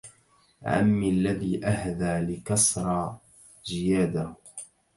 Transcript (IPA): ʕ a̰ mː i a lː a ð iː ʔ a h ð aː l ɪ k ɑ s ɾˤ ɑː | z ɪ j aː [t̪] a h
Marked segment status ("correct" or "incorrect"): incorrect